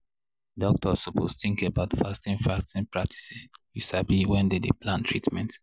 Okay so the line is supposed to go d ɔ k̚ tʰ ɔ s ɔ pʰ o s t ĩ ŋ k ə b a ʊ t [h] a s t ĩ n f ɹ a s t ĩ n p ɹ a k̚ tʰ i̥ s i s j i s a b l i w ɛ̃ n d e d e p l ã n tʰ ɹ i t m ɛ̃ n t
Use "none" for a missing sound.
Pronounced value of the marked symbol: f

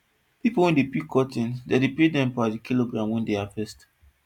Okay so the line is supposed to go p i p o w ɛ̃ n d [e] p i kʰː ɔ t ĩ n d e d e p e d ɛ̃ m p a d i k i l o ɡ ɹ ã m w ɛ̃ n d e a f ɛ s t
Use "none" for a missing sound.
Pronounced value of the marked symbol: e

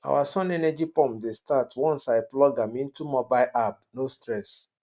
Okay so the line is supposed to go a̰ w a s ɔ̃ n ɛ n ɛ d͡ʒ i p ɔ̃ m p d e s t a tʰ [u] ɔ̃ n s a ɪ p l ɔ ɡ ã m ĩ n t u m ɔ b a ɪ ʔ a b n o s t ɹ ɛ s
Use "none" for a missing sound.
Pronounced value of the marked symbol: w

